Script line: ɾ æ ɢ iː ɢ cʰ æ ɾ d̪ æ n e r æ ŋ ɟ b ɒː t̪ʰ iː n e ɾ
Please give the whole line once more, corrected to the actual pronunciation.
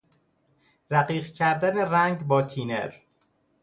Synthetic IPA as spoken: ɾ æ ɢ iː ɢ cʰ æ ɾ d̪ æ n e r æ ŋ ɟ b ɒː t̪ʰ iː n e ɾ